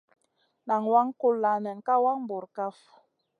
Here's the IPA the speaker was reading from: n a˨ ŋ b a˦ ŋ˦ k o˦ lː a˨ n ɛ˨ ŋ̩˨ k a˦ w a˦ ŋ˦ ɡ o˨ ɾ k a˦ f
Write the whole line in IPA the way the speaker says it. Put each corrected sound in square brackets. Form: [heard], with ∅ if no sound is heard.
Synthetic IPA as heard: n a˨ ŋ [w] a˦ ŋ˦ k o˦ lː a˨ n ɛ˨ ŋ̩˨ k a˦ w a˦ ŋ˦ [b] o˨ ɾ k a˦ f